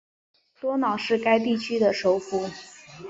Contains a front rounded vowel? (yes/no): yes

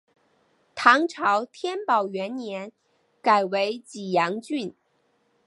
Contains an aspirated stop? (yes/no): yes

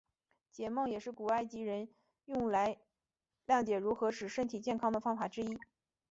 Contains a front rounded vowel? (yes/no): no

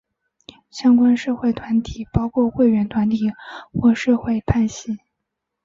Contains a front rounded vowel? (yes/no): no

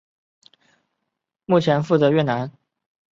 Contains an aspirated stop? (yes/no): yes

